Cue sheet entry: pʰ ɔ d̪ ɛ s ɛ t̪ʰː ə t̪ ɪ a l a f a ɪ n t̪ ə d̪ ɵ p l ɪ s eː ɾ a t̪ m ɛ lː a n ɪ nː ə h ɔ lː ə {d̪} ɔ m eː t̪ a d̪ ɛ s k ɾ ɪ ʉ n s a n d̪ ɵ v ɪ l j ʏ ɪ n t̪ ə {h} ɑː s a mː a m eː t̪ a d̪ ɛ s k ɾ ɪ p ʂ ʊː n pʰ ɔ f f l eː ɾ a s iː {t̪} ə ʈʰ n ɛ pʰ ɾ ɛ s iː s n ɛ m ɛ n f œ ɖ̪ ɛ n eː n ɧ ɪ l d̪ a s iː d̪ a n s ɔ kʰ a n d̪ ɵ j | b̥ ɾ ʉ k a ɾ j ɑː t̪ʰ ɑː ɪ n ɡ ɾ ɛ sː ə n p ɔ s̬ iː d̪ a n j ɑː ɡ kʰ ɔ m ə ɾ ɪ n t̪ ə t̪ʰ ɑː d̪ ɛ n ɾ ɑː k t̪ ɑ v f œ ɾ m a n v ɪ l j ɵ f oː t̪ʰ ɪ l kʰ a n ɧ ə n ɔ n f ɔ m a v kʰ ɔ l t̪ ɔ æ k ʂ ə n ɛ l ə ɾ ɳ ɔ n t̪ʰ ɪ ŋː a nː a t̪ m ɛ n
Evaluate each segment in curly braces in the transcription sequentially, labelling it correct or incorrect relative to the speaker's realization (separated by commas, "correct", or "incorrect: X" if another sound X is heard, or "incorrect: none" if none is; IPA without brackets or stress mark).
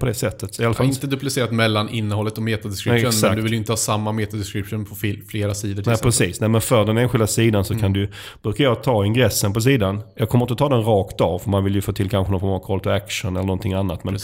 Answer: incorrect: t̪, correct, incorrect: d̪